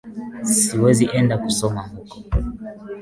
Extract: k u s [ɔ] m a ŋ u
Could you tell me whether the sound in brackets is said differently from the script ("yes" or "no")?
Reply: no